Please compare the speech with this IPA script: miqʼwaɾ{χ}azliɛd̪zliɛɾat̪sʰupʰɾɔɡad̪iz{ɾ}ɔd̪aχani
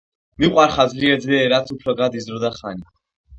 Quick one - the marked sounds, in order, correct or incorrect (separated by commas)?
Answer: correct, correct